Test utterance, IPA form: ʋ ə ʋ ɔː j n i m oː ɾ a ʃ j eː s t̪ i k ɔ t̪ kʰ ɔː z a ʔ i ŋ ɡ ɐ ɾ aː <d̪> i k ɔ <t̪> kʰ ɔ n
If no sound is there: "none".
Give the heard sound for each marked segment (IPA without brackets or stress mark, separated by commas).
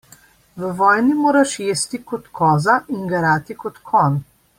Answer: t̪, t̪